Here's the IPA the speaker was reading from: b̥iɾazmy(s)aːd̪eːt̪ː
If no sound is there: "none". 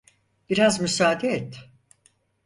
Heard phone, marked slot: s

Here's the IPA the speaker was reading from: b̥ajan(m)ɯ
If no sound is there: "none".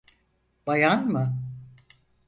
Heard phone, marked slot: m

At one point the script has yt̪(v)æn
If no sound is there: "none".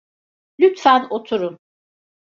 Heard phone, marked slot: f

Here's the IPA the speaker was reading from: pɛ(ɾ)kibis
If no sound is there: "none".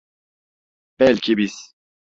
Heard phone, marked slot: l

